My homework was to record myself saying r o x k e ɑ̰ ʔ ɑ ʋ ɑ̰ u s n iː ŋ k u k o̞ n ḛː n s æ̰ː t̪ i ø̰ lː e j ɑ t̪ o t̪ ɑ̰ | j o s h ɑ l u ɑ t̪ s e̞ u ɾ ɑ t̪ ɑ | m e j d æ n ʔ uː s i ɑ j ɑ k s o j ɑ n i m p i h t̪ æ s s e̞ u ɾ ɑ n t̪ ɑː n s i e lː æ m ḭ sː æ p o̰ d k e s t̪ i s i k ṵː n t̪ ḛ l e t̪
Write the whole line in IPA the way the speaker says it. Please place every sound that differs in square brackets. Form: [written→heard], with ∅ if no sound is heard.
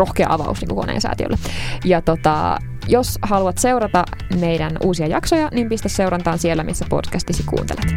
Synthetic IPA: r o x k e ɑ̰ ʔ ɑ ʋ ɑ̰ u s n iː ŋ k u k o̞ n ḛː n s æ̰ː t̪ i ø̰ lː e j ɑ t̪ o t̪ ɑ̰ | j o s h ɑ l u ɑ t̪ s e̞ u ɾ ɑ t̪ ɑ | m e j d æ n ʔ uː s i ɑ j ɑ k s o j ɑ n i m p i [h→s] t̪ æ s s e̞ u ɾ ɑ n t̪ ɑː n s i e lː æ m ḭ sː æ p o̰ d k [e→æ] s t̪ i s i k ṵː n t̪ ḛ l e t̪